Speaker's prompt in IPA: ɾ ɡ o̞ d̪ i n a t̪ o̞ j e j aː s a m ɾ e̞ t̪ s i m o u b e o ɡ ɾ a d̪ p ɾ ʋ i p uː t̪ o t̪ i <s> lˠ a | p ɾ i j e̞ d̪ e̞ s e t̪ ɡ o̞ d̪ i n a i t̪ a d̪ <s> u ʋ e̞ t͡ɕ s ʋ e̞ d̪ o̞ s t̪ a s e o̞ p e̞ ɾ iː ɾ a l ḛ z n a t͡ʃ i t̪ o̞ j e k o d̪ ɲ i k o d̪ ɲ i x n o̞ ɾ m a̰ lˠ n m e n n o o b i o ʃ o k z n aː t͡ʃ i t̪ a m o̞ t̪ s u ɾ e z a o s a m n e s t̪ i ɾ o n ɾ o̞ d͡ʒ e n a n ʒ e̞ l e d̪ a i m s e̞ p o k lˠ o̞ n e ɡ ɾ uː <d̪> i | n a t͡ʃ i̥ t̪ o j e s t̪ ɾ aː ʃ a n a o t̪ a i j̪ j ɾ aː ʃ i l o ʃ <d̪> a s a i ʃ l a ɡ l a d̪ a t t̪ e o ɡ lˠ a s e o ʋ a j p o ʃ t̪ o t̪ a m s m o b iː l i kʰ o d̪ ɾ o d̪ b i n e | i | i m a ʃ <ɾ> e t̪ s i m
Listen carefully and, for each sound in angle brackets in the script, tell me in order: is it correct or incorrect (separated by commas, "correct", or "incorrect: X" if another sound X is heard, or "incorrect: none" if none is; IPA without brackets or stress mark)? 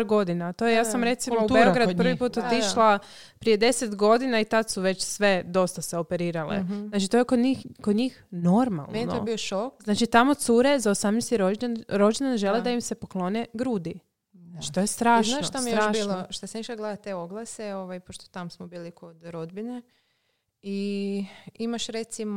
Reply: incorrect: ʃ, correct, correct, incorrect: t̪, correct